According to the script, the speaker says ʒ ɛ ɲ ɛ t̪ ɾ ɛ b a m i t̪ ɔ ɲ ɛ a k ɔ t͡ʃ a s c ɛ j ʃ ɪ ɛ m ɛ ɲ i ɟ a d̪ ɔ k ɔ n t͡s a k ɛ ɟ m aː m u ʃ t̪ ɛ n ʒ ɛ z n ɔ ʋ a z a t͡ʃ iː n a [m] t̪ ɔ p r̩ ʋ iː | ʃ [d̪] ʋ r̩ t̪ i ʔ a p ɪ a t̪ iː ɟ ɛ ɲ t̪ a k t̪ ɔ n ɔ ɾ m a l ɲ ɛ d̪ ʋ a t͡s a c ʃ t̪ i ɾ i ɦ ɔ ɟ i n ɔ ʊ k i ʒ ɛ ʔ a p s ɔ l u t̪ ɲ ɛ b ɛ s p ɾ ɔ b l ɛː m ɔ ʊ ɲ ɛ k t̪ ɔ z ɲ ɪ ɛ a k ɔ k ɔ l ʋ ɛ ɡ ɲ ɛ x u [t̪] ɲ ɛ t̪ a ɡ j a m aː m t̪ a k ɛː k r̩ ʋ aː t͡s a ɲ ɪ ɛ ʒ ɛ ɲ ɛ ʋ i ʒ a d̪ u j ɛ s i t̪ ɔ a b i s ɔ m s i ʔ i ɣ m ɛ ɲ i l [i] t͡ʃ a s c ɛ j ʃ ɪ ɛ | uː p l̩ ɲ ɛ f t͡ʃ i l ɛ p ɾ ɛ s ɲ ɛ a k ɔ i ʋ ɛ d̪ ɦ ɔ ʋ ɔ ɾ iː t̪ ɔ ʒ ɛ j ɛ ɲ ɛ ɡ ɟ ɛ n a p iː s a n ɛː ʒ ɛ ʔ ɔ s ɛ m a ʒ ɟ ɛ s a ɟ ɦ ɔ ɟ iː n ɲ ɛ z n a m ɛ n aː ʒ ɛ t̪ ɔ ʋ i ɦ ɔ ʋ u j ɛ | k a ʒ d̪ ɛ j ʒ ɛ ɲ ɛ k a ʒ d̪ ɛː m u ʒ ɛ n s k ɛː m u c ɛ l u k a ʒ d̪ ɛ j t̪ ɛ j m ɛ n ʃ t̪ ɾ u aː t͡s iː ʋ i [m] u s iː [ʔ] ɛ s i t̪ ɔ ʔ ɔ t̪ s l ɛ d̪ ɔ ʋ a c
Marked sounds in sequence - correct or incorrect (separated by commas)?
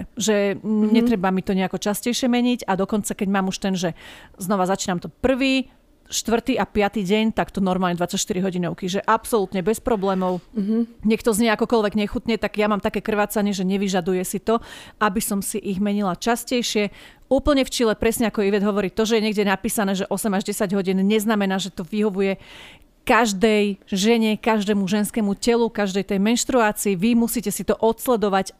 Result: correct, incorrect, correct, incorrect, correct, incorrect